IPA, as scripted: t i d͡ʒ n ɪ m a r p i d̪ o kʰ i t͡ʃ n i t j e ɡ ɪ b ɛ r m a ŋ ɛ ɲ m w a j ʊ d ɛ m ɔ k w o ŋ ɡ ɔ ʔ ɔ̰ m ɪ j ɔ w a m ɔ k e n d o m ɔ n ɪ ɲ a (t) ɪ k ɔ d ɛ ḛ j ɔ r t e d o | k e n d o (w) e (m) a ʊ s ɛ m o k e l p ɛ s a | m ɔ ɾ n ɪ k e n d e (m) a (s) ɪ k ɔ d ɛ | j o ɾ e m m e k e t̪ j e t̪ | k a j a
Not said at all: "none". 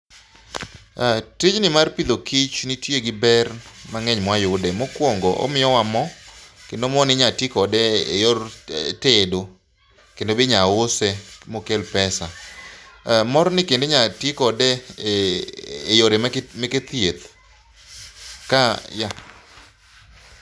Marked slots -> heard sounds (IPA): t, b, ɲ, ɲ, t

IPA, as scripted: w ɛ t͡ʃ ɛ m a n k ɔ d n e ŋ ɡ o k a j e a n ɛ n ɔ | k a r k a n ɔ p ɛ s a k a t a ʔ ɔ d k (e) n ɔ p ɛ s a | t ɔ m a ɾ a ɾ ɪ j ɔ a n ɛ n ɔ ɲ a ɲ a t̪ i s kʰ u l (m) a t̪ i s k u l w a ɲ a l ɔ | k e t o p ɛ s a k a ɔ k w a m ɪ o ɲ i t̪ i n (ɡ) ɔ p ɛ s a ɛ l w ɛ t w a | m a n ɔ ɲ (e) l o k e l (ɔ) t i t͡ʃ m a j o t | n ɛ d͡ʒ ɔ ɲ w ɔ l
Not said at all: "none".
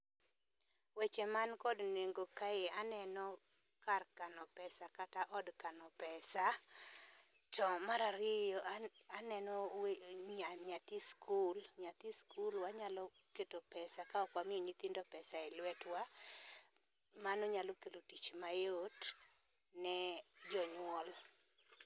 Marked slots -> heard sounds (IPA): a, ɲ, d, a, o

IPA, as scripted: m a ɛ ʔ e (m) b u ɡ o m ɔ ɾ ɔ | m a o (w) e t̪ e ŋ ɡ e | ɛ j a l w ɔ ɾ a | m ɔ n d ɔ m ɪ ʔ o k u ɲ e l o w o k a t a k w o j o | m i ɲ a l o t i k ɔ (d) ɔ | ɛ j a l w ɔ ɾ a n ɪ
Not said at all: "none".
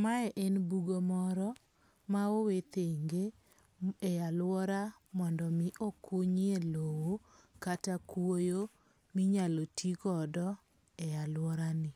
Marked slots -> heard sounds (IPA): n, w, d

